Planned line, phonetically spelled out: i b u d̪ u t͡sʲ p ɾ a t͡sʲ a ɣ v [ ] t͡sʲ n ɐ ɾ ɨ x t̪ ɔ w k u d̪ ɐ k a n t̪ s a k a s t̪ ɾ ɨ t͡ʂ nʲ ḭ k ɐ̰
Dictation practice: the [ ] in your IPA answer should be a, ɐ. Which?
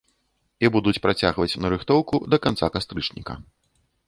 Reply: ɐ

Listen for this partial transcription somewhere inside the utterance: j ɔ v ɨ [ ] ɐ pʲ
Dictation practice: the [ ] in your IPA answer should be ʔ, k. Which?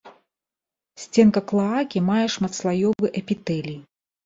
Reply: ʔ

